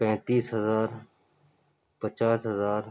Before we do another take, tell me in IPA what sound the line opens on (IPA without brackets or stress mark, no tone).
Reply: p